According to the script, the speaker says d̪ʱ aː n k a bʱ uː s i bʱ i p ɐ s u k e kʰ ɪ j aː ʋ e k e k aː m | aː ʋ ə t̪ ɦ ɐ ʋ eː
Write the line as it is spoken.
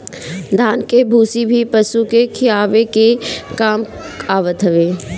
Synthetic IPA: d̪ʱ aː n k e bʱ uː s i bʱ i p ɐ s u k e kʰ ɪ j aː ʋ e k e k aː m | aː ʋ ə t̪ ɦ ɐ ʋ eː